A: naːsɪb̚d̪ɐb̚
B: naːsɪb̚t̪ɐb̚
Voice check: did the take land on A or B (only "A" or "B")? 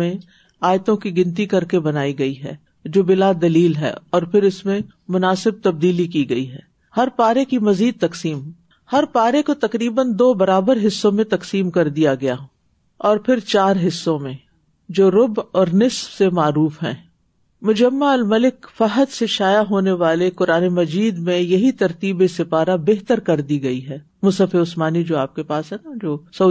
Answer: B